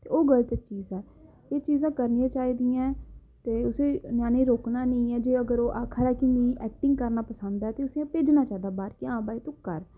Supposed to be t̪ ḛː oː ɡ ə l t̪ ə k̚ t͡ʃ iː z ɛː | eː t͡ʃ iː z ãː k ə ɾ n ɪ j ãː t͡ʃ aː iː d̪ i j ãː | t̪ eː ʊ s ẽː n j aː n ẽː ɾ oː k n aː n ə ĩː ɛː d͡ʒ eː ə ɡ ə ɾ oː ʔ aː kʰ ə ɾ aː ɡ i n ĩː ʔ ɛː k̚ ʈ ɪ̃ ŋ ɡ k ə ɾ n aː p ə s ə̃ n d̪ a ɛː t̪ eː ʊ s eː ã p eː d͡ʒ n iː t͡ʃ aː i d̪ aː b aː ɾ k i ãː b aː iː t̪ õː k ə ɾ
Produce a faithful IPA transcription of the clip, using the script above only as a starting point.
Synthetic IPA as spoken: t̪ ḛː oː ɡ ə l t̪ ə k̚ t͡ʃ iː z ɛː | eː t͡ʃ iː z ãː k ə ɾ n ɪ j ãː t͡ʃ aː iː d̪ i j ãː | t̪ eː ʊ s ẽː n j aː n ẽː ɾ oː k n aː n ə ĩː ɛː d͡ʒ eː ə ɡ ə ɾ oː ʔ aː kʰ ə ɾ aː k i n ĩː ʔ ɛː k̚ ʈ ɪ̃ ŋ ɡ k ə ɾ n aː p ə s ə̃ n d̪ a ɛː t̪ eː ʊ s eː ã p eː d͡ʒ n aː t͡ʃ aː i d̪ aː b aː ɾ k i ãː b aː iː t̪ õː k ə ɾ